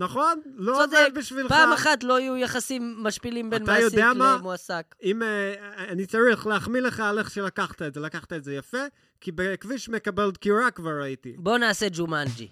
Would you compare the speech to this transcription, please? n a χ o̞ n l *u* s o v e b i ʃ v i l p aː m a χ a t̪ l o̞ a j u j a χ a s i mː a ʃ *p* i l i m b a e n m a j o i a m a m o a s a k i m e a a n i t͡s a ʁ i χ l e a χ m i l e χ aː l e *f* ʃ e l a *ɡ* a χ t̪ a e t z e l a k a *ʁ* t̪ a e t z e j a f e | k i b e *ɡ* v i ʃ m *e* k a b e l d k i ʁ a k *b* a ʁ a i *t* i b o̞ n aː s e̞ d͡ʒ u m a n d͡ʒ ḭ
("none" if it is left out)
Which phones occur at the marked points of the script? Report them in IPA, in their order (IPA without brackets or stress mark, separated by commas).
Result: o, p, χ, k, χ, k, e, v, t